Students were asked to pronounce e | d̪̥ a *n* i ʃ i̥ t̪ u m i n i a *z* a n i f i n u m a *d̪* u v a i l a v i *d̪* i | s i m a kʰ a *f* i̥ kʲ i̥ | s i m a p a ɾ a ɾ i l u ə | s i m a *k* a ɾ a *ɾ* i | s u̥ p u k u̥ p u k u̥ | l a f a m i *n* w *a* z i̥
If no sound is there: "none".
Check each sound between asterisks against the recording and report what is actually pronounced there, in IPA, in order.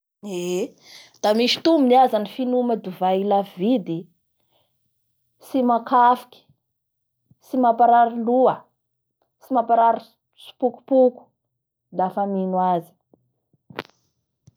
m, z, d̪, d̪, f, p, ɾ, n, a

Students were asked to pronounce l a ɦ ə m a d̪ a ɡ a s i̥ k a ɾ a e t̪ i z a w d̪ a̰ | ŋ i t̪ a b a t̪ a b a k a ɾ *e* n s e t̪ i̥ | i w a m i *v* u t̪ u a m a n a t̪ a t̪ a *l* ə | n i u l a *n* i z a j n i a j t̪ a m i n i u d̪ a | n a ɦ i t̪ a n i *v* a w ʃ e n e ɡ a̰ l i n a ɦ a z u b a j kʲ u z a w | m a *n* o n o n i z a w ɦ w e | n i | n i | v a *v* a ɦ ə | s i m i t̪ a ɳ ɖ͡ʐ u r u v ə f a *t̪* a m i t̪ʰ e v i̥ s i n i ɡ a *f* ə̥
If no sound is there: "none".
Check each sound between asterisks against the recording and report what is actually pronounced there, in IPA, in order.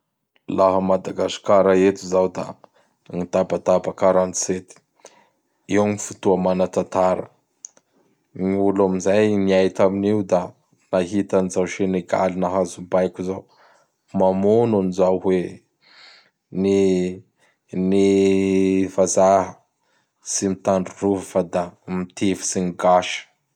a, f, ɾ, m, z, m, z, d̪, ʃ

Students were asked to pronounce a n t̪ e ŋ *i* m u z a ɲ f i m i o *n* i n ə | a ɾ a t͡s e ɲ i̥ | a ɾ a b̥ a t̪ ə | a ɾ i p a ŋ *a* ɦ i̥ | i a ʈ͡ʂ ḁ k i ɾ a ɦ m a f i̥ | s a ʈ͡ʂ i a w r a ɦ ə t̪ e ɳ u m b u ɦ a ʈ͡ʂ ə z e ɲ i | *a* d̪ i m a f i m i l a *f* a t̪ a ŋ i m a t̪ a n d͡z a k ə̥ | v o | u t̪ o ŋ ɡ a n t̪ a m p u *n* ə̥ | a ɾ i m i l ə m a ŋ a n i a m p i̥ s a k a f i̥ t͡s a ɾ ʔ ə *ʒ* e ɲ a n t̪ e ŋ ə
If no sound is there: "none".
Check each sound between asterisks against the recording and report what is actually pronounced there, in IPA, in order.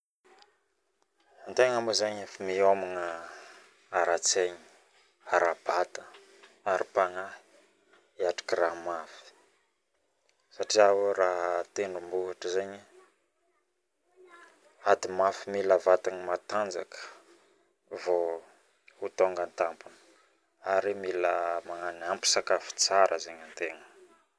a, m, a, a, v, n, z

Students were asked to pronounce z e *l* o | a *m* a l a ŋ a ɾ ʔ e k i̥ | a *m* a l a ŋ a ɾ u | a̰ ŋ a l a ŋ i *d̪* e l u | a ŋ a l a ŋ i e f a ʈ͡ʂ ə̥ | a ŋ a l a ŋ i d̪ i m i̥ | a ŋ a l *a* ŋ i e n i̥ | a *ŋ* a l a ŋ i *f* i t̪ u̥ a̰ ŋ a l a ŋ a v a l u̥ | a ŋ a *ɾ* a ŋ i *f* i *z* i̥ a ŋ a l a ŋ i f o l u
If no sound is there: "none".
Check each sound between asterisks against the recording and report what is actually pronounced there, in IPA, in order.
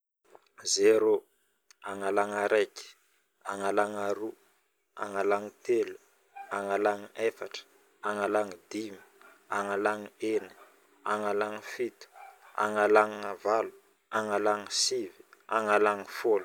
ɾ, ŋ, ŋ, t̪, a, ŋ, f, l, s, v

